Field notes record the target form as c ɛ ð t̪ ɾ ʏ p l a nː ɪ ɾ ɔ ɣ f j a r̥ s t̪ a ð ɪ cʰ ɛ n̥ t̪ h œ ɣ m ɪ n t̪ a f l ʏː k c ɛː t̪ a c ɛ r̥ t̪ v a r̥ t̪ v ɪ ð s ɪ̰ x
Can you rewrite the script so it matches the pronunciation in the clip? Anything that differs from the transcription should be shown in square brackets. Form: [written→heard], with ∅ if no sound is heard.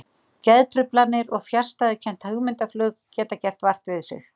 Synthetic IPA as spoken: c ɛ ð t̪ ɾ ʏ p l a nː ɪ ɾ ɔ ɣ f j a r̥ s t̪ a ð ɪ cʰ ɛ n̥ t̪ h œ ɣ m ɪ n t̪ a f l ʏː k c ɛː t̪ a c ɛ r̥ t̪ v a r̥ t̪ v ɪ ð s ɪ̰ x